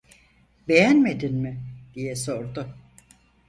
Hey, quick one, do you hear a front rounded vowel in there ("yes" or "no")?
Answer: no